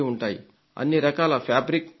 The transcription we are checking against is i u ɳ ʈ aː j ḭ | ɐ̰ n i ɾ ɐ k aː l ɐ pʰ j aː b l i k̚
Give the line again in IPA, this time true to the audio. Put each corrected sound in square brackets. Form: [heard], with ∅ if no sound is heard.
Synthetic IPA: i u ɳ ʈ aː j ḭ | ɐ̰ [nː] i ɾ ɐ k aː l ɐ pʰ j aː b [ɾ] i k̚